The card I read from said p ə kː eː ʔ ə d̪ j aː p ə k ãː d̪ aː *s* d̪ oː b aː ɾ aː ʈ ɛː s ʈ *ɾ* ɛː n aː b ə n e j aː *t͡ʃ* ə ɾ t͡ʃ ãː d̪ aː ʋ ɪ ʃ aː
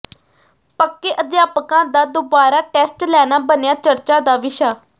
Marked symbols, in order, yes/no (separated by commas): no, no, yes